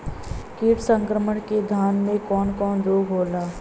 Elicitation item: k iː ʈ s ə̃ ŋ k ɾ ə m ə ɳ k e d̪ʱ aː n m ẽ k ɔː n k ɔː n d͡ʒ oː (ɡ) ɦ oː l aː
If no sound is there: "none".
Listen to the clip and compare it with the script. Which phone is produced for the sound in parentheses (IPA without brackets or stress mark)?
ɡ